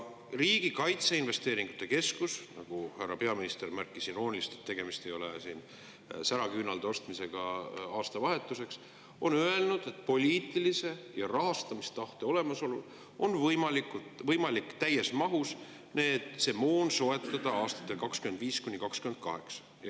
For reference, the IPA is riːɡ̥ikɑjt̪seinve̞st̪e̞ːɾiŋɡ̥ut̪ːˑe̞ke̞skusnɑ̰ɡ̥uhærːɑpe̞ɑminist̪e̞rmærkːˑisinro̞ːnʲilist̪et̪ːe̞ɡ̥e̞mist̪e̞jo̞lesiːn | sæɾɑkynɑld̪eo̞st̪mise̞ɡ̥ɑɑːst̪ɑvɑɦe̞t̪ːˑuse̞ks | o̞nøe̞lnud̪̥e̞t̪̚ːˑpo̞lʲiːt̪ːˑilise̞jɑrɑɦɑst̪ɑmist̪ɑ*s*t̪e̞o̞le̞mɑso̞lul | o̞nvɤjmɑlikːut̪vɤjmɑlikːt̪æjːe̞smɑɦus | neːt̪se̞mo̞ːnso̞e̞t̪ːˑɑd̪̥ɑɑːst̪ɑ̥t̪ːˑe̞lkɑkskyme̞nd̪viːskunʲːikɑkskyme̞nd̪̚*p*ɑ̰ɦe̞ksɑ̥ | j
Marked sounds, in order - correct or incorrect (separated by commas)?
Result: incorrect, incorrect